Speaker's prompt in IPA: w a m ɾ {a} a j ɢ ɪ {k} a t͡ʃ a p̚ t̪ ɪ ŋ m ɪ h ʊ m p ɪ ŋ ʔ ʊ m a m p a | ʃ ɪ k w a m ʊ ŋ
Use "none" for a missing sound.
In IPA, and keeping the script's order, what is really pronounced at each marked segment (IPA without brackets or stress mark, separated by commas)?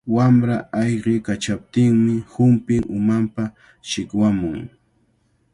a, k